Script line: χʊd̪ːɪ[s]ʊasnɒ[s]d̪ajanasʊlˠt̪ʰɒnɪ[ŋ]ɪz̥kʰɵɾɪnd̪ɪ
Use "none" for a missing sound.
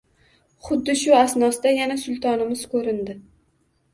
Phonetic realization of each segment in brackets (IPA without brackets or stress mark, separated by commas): ʃ, s, m